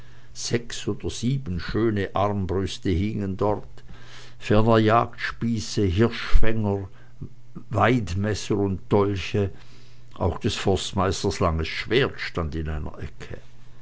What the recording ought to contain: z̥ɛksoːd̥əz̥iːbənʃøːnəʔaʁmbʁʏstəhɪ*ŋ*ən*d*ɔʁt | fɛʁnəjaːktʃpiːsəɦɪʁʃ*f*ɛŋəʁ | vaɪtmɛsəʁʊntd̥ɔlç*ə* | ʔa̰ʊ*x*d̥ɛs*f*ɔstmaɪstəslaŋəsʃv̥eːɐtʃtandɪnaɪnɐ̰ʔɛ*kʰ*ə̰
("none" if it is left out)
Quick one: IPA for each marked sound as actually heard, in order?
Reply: ŋ, d, f, ə, x, f, kʰ

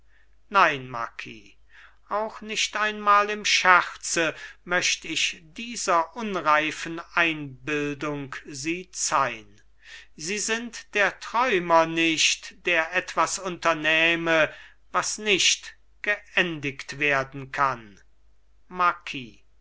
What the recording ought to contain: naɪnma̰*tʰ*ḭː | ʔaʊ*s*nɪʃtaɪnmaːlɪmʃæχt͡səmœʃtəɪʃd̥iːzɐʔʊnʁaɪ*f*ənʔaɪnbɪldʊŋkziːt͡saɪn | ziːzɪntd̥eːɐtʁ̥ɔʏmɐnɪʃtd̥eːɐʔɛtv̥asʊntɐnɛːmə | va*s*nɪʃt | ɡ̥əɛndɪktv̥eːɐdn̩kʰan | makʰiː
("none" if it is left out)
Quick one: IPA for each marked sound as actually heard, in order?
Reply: kʰ, x, f, s

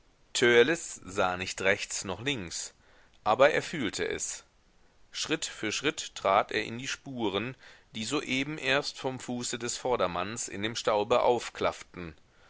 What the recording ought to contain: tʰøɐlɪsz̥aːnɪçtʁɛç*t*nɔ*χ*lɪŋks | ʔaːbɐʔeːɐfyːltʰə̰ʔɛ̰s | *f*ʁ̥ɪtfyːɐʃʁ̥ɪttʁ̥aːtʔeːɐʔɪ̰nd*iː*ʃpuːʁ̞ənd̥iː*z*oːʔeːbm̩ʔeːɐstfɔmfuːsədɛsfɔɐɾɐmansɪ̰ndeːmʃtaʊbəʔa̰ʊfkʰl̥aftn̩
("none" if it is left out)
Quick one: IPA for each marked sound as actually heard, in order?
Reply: t͡s, χ, ʃ, iː, z

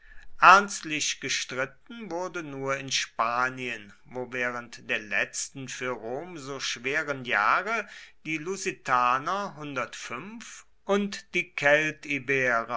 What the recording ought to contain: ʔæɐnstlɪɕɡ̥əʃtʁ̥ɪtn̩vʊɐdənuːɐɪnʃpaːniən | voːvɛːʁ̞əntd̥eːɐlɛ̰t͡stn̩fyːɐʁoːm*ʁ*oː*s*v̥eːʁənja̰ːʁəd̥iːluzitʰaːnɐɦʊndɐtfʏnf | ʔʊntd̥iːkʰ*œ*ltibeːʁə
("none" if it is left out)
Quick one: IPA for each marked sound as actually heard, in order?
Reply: z, ʃ, ɛ

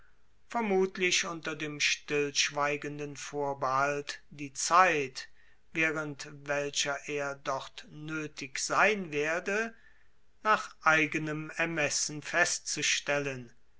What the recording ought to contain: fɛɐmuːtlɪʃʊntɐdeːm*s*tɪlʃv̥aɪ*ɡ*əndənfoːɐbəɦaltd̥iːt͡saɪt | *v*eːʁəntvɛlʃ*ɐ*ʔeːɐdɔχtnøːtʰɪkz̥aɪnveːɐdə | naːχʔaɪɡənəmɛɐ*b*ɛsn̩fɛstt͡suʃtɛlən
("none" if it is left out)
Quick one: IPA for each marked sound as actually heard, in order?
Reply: ʃ, ɡ, v, ɐ, m

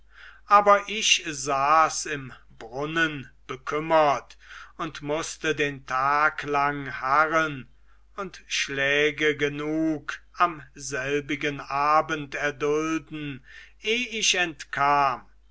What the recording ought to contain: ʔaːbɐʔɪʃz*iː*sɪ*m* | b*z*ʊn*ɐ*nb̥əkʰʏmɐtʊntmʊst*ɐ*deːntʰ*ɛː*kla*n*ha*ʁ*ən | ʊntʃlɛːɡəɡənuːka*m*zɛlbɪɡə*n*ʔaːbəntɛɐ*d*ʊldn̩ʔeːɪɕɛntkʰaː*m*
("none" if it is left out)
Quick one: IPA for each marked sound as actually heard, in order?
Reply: aː, m, ʁ, ə, ə, aː, ŋ, ʁ, m, n, d, m

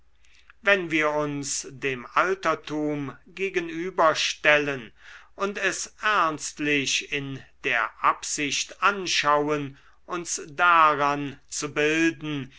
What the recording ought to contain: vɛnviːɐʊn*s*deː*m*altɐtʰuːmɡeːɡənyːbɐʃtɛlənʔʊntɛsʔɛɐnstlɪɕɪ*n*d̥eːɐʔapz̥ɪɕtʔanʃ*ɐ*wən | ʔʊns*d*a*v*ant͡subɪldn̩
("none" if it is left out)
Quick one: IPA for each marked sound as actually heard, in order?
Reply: s, m, n, a, d, ʁ

